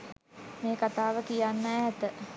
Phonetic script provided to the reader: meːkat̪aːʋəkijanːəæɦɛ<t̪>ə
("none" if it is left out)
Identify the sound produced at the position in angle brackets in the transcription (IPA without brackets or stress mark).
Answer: t̪